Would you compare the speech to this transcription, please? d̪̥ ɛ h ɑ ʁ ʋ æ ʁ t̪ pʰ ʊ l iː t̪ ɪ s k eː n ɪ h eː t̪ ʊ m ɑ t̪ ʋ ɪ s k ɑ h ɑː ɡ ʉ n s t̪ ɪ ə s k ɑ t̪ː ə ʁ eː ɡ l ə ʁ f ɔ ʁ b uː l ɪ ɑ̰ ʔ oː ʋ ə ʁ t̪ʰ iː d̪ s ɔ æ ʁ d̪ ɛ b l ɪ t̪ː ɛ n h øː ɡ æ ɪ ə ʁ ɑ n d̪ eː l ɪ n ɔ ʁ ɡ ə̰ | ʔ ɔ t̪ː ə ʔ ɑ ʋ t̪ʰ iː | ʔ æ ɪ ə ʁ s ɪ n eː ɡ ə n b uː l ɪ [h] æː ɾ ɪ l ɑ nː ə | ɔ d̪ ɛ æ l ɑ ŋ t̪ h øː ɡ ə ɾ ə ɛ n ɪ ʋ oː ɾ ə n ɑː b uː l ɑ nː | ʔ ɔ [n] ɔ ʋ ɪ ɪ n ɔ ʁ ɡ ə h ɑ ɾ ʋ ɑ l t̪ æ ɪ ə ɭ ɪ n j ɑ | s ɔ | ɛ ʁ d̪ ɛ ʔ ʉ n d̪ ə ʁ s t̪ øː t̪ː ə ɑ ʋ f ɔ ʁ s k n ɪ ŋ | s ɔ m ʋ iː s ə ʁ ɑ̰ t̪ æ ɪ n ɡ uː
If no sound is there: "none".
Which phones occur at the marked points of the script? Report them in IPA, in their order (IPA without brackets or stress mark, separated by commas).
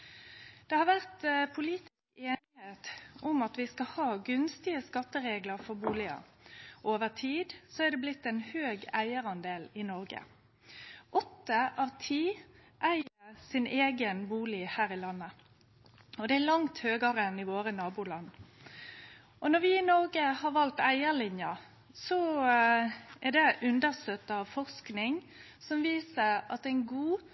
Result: h, n